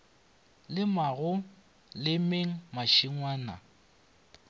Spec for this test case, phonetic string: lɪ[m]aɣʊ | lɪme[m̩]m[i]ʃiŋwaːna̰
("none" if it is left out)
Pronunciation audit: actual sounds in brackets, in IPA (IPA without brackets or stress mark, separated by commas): m, ŋ̩, a